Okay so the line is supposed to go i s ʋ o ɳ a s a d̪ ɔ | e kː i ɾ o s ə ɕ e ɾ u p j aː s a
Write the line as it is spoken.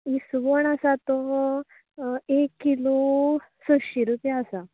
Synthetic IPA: i s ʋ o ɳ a s a t̪ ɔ | e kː i l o s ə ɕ i ɾ u p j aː s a